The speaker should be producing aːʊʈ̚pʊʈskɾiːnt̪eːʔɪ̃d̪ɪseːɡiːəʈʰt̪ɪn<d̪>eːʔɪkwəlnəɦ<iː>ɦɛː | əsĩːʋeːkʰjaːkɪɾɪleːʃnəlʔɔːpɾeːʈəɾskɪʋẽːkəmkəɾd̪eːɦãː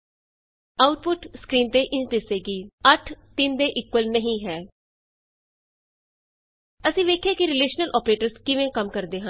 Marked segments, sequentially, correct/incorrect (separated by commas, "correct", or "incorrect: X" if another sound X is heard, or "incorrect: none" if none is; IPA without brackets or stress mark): correct, incorrect: ĩː